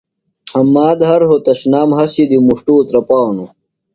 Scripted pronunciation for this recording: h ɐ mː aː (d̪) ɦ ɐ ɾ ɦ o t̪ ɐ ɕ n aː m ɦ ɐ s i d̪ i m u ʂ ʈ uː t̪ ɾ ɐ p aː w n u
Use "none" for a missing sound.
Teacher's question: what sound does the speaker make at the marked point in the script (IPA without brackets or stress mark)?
d̪